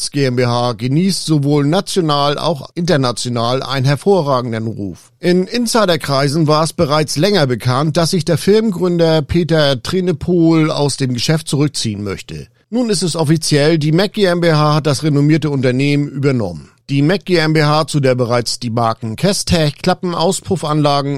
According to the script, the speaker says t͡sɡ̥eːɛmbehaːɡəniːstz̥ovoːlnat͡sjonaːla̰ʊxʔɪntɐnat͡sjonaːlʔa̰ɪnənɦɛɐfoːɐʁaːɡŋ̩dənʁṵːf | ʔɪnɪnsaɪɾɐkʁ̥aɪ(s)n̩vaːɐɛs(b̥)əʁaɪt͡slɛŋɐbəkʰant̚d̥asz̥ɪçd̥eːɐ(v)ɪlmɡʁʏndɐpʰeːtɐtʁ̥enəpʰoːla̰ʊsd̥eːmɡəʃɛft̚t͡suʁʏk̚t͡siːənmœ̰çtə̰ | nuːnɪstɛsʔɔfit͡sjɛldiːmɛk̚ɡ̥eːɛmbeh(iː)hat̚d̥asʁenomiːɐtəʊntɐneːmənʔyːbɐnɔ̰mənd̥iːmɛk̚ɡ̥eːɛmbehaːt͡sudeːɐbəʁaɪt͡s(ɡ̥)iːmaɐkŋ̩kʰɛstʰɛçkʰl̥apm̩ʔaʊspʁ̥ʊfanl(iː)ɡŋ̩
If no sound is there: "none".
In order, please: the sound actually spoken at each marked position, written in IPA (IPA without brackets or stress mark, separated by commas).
z, b̥, f, aː, d̥, aː